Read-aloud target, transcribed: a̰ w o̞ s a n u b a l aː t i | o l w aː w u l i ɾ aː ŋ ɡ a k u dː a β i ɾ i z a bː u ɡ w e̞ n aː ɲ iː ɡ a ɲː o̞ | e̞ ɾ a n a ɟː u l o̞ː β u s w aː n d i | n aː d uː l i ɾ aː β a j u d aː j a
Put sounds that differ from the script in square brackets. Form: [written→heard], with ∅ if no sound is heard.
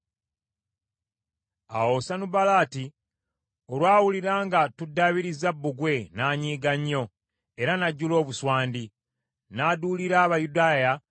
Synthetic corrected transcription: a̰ w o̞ s a n u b a l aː t i | o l w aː w u l i ɾ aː ŋ ɡ a [k→t] u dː a β i ɾ i z a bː u ɡ w e̞ n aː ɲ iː ɡ a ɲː o̞ | e̞ ɾ a n a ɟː u l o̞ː β u s w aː n d i | n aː d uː l i ɾ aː β a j u d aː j a